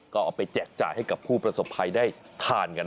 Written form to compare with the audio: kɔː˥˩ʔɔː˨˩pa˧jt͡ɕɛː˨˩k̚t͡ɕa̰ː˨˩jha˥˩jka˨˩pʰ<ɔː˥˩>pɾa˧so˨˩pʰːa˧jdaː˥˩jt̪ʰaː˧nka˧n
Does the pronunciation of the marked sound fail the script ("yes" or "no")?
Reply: yes